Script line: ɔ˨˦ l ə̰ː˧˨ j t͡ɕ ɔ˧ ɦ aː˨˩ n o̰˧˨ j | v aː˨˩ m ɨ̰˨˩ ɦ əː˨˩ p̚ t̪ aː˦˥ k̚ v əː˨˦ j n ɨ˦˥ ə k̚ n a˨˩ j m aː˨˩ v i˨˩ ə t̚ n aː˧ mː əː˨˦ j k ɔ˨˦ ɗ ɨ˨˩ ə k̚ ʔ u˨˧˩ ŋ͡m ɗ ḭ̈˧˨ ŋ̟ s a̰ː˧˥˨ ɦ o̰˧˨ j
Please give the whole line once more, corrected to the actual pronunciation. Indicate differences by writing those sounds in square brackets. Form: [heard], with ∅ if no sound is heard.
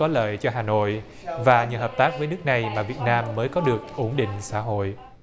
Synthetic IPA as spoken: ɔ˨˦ l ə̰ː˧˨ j t͡ɕ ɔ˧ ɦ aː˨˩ n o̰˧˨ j | v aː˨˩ [ɲ] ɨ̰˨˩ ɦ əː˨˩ p̚ t̪ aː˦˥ k̚ v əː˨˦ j n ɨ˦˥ ə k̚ n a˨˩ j m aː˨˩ v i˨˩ ə t̚ n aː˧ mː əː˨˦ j k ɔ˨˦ ɗ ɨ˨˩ ə k̚ ʔ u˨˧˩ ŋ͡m ɗ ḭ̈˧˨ ŋ̟ s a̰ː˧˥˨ ɦ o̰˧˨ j